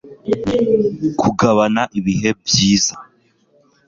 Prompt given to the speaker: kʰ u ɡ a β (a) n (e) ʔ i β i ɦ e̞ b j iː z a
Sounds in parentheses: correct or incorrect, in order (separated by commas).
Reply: correct, incorrect